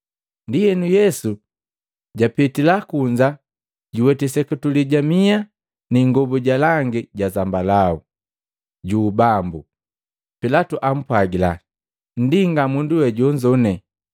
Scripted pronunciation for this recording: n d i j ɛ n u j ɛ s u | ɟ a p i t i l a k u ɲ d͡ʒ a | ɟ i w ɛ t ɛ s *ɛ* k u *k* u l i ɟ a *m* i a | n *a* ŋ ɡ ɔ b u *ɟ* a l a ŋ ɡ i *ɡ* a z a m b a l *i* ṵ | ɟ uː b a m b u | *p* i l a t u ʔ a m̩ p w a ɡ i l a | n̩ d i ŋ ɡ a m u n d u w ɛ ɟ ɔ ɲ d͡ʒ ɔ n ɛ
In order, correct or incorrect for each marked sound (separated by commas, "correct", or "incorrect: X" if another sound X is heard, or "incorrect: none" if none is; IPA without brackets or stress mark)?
correct, incorrect: t, correct, incorrect: i, correct, incorrect: ɟ, incorrect: a, correct